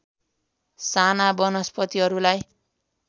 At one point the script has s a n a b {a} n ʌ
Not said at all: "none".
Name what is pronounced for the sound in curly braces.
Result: ʌ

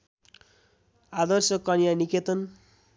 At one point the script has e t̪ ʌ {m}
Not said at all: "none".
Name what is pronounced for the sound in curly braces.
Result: n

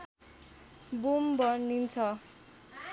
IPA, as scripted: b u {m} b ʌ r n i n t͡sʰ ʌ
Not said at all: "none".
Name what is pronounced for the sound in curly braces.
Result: m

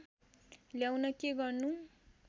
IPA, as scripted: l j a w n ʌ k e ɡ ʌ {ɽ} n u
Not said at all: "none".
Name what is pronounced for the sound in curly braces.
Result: r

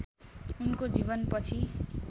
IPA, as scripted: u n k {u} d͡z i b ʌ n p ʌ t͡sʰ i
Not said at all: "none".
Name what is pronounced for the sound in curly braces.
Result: o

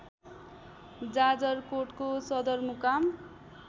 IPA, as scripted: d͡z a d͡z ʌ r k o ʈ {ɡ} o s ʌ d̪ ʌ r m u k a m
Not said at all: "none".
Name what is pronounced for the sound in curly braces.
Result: k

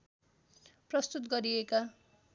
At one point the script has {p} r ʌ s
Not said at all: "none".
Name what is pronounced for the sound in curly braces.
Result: p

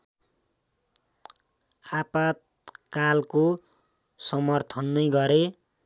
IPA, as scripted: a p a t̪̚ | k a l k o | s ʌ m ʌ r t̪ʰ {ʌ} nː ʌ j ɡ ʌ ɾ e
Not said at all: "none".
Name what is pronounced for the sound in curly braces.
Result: ʌ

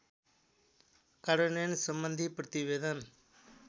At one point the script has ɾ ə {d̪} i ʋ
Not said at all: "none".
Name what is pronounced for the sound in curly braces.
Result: t̪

